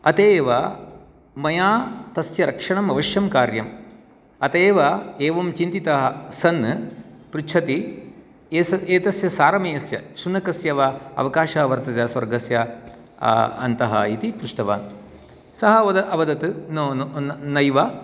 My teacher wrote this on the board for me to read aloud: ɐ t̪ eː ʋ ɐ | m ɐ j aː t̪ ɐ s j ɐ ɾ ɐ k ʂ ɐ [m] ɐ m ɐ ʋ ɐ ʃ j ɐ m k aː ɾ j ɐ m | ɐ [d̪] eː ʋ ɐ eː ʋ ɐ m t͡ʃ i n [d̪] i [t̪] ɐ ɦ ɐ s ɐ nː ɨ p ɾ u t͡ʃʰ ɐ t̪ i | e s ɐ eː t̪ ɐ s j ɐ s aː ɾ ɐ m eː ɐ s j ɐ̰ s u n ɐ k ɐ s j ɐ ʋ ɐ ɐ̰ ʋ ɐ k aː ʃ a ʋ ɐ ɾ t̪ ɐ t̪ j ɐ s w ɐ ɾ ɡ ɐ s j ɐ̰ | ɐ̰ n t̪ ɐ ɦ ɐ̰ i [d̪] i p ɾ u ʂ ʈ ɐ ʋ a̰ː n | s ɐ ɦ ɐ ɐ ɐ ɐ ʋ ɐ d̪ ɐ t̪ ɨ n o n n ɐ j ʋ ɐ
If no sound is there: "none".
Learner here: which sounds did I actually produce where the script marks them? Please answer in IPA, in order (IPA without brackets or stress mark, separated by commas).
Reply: ɳ, t̪, t̪, t̪, t̪